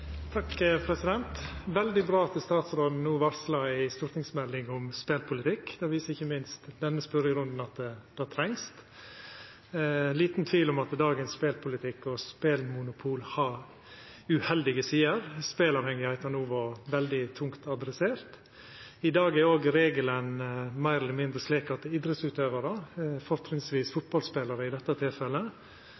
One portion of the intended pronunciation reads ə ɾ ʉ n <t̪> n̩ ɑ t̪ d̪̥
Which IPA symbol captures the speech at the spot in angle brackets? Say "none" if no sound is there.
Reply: d̪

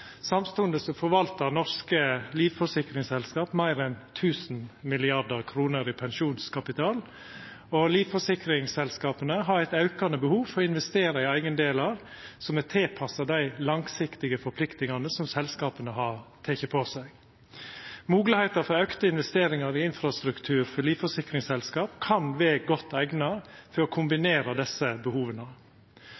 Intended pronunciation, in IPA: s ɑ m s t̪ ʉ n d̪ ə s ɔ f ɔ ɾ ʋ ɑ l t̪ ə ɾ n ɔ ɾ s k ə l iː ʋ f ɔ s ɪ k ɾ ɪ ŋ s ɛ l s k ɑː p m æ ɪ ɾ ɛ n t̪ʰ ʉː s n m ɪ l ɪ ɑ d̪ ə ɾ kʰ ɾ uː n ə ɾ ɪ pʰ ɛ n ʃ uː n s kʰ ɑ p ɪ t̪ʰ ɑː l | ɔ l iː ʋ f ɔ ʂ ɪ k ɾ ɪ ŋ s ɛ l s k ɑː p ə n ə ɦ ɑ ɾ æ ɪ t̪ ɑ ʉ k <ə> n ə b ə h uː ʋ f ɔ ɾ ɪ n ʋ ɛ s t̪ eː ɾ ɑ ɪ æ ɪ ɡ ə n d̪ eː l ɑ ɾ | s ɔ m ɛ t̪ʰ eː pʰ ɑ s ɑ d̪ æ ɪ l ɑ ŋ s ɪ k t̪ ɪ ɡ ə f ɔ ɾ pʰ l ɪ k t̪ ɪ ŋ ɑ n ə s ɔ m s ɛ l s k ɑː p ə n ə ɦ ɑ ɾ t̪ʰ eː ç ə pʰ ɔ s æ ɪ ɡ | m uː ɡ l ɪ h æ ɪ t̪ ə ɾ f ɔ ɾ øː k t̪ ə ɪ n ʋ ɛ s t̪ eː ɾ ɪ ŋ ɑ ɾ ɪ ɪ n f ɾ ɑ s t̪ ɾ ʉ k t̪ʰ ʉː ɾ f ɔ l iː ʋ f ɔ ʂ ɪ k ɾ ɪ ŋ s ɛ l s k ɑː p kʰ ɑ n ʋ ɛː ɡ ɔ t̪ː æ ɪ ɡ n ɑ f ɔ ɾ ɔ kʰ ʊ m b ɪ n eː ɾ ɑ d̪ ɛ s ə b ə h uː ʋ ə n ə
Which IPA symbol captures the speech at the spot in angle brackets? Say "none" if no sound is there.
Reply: ɑ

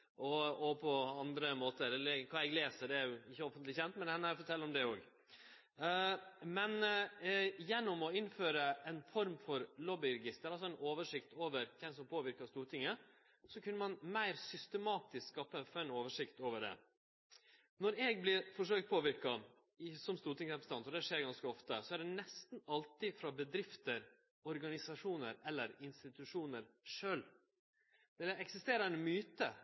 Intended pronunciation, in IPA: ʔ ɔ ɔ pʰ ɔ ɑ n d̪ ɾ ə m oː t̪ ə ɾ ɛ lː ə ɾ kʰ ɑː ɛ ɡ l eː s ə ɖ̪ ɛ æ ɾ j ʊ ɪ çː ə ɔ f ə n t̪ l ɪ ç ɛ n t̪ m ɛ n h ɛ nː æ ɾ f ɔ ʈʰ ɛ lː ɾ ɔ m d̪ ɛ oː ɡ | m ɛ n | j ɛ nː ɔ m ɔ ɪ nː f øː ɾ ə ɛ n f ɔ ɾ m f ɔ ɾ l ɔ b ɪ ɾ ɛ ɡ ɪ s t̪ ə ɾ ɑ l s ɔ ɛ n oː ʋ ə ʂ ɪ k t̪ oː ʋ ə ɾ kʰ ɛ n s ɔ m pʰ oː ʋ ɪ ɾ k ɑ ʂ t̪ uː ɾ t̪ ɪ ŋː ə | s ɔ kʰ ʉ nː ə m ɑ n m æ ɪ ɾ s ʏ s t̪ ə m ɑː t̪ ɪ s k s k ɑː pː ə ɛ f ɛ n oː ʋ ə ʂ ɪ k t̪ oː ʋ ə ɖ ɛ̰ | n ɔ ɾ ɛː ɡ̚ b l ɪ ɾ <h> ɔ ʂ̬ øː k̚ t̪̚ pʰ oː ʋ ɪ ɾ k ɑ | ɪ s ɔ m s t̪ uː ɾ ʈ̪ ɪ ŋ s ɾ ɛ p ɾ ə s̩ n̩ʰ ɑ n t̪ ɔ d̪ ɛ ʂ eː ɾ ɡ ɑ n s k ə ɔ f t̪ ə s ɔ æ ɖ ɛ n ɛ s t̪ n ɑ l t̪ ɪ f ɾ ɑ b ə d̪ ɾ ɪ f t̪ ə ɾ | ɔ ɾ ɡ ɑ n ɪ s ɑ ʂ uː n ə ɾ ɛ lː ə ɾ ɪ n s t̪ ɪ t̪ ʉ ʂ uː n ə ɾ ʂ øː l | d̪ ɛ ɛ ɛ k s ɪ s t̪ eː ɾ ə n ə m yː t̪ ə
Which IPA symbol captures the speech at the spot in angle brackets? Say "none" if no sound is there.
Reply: f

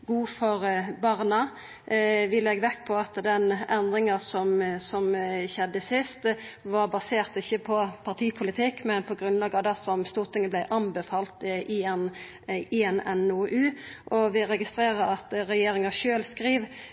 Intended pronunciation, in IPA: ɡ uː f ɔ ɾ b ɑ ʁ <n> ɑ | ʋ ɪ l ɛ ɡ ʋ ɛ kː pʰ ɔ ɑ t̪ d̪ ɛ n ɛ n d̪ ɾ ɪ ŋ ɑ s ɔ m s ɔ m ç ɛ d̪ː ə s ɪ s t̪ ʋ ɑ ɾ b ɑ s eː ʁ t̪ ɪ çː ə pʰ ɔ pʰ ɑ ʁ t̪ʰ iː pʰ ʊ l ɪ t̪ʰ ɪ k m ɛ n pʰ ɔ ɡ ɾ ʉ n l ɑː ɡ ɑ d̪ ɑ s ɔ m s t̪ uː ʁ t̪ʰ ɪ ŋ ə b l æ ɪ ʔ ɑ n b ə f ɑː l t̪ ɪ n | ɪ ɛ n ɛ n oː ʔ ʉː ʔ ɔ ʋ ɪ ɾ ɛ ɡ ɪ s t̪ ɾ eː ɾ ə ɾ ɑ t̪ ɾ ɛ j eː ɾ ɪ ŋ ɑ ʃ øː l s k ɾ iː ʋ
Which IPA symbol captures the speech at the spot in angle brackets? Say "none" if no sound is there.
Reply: n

